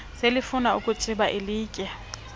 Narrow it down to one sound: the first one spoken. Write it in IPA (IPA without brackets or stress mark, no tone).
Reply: s